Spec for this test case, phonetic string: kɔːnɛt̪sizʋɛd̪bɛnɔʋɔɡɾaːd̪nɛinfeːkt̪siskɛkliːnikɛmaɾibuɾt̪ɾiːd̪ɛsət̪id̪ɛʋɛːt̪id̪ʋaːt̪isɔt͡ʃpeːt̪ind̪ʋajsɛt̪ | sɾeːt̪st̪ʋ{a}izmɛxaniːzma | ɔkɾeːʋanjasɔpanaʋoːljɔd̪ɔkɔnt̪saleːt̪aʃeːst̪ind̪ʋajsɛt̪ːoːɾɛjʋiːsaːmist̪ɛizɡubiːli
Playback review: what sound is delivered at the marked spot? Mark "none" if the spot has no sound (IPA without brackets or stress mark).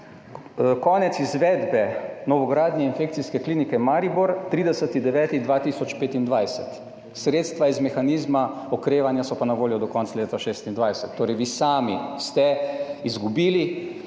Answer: a